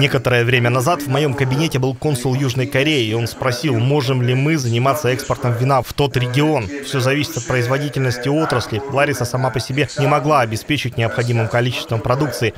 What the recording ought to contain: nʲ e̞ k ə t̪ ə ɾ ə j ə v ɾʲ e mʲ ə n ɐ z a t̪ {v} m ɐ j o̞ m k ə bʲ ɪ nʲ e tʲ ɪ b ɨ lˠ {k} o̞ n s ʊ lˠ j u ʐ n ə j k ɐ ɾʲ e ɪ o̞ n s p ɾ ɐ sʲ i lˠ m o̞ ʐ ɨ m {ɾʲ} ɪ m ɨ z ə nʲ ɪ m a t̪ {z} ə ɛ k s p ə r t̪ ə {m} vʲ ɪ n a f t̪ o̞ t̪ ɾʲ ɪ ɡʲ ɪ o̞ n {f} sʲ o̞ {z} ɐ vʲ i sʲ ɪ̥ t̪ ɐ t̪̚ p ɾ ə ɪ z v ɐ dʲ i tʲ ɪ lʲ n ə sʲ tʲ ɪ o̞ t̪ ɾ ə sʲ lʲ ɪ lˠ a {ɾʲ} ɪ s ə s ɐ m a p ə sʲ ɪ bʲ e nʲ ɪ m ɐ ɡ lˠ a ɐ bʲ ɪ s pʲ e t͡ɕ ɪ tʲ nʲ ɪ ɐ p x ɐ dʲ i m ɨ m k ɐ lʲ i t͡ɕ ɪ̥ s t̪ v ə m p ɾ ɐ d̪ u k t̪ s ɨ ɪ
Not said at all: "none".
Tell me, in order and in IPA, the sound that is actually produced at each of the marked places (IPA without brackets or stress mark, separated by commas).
v, k, lʲ, s, m, f, z, ɾʲ